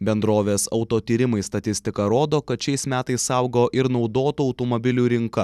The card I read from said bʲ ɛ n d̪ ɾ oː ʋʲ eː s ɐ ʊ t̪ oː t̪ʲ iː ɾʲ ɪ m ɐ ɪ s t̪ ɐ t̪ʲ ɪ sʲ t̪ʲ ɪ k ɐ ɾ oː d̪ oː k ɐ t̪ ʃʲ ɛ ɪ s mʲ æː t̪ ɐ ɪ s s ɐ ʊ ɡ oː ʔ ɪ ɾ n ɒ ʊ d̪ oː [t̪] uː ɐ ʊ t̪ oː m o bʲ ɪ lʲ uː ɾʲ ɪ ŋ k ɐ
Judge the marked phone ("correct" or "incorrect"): correct